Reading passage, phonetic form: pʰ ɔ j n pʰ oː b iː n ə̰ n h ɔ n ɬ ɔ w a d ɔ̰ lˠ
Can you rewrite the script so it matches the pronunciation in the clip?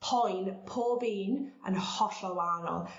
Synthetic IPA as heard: pʰ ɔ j n pʰ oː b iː n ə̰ n h ɔ ɬ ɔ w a n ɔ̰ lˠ